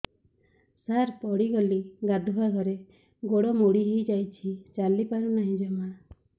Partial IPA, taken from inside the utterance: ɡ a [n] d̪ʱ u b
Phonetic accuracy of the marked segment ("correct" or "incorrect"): incorrect